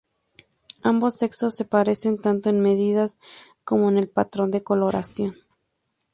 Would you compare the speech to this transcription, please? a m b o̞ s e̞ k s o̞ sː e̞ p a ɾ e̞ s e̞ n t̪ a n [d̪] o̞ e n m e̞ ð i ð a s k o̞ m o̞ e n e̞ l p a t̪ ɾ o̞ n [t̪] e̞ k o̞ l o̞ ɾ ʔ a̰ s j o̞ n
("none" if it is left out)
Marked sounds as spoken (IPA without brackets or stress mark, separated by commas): t̪, d̪